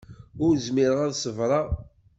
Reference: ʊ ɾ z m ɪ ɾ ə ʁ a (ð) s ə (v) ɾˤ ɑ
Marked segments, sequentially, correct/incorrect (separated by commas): correct, correct